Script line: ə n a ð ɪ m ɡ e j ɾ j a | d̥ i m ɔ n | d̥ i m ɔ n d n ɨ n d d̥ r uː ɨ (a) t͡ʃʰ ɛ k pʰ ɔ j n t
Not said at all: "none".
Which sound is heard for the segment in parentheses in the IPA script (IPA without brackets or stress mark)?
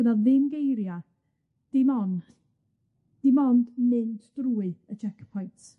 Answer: ə